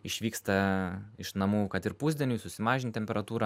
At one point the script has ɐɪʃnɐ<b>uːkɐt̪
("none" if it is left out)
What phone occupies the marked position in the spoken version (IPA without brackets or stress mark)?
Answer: m